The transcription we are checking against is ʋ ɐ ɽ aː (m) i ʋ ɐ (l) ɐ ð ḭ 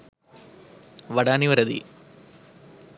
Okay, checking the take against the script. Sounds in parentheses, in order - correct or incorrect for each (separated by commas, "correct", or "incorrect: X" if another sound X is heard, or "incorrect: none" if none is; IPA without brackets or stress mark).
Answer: incorrect: n, incorrect: ɾ